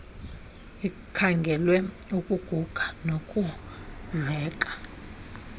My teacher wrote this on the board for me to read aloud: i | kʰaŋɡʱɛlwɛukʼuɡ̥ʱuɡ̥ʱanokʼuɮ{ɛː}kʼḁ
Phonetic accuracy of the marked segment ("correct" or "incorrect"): correct